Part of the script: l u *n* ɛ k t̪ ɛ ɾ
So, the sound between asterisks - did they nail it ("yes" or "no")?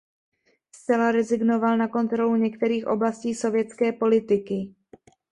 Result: no